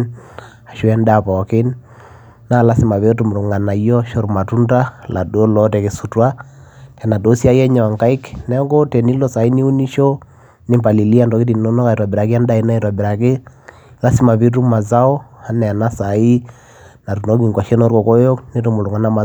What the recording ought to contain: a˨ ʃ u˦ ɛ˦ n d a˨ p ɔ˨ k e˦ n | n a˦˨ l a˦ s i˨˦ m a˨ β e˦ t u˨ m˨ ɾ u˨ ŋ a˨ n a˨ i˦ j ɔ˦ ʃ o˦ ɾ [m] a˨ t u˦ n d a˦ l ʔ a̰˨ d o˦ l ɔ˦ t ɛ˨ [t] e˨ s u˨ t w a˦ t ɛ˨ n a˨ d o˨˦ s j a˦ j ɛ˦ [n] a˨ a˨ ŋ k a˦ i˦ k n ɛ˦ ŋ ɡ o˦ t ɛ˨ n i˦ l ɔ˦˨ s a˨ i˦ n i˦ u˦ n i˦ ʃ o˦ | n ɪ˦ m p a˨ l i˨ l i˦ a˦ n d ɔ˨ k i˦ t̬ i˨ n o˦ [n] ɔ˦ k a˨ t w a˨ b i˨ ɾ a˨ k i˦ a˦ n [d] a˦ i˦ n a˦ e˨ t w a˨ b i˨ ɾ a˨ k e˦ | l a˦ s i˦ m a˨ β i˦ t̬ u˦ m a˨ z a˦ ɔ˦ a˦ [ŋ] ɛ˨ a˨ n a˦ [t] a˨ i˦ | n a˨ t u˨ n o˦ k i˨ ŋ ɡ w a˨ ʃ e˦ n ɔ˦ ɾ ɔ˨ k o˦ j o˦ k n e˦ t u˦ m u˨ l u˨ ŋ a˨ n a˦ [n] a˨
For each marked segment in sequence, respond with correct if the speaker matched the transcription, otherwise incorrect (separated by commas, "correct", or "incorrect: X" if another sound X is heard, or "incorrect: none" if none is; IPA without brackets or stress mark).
correct, incorrect: k, incorrect: ɲ, correct, correct, incorrect: n, incorrect: s, incorrect: m